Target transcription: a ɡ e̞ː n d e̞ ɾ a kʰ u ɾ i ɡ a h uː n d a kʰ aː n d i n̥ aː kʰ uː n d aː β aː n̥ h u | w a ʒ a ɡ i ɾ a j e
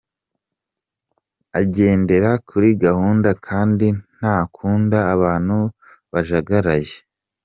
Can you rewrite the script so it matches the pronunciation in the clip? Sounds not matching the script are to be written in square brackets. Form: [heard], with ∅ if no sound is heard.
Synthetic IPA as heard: a [ɟ] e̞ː n d e̞ ɾ a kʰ u ɾ i ɡ a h uː n d a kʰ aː n d i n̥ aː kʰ uː n d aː β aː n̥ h u | [β] a ʒ a ɡ [a] ɾ a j e